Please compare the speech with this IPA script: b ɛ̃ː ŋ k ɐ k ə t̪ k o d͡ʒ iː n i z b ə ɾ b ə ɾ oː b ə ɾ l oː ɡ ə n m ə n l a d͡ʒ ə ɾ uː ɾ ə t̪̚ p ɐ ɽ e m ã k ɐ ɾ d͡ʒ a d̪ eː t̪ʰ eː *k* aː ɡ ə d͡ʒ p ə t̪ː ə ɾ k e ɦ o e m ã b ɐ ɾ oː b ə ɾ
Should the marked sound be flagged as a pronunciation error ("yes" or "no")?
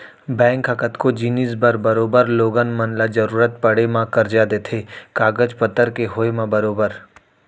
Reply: no